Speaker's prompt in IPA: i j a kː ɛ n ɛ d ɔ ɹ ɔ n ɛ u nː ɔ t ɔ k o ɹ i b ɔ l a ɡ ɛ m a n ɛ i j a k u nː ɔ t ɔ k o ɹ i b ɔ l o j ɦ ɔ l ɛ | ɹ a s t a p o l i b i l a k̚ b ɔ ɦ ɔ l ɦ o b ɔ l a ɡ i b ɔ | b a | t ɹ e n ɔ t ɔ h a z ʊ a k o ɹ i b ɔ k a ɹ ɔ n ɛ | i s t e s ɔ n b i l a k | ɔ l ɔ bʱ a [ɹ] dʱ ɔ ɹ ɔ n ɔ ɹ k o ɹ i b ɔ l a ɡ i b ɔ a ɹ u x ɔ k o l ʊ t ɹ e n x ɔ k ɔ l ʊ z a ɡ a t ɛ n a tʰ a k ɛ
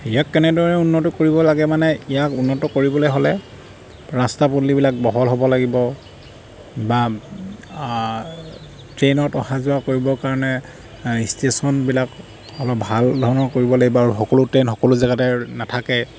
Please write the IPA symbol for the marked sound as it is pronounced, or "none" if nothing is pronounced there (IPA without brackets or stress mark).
l